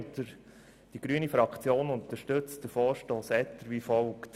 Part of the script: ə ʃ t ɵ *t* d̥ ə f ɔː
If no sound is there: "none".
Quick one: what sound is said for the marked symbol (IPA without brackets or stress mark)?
t͡s